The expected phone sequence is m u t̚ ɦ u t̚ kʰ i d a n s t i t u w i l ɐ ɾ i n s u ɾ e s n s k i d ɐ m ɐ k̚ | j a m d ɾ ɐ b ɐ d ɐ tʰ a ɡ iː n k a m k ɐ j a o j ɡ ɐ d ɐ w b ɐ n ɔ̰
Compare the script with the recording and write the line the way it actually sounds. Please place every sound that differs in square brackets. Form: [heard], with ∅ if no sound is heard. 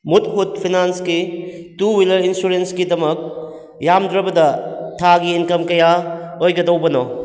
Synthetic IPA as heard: m u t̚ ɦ u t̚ [pʰ] i [n] a n s [k] i t u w i l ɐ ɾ i n s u ɾ e [∅] n s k i d ɐ m ɐ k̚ | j a m d ɾ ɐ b ɐ d ɐ tʰ a ɡ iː n k [ɐ] m k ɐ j a o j ɡ ɐ d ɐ w b ɐ n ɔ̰